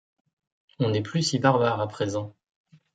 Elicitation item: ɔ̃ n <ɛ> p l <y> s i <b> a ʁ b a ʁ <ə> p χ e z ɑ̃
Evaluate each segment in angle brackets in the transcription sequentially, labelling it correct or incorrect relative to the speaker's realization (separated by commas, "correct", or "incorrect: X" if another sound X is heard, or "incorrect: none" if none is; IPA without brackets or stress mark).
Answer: correct, correct, correct, incorrect: a